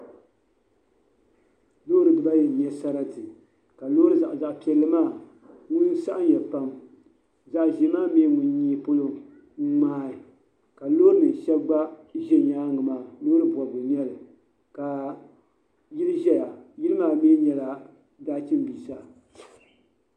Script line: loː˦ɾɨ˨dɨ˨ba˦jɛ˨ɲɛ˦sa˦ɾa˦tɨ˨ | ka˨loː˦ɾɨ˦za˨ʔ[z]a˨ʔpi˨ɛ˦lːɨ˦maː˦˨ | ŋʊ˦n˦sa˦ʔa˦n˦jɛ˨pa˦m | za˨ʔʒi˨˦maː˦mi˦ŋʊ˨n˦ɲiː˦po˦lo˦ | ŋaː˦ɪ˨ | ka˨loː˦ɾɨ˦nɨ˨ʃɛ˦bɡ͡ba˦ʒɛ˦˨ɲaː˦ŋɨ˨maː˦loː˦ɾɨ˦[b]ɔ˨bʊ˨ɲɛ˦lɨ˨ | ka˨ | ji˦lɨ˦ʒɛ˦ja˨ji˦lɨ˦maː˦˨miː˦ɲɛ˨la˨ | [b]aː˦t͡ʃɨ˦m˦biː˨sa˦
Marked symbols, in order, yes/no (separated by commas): yes, yes, no